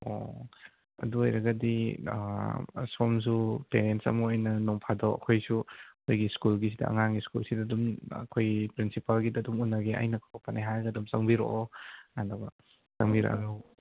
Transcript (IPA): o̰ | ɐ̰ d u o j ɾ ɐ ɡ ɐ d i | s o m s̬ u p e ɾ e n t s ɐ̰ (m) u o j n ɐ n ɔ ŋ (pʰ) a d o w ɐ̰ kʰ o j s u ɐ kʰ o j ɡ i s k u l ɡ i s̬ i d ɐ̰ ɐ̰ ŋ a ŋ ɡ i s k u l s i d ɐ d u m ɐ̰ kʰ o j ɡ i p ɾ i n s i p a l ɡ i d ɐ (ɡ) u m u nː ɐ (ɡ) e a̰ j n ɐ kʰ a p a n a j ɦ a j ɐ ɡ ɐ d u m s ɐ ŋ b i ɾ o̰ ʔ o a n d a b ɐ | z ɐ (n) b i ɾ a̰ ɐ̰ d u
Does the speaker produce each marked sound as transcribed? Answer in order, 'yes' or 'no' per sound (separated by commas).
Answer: yes, yes, no, yes, no